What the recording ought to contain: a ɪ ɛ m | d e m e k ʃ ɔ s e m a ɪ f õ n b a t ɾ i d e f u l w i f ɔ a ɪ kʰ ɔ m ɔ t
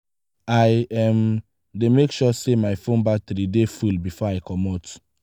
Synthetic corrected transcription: a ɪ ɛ m | d e m e k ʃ ɔ s e m a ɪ f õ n b a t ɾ i d e f u l b i f ɔ a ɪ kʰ ɔ m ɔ t